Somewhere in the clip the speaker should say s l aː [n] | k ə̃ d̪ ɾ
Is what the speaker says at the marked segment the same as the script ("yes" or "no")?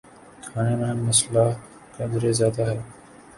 no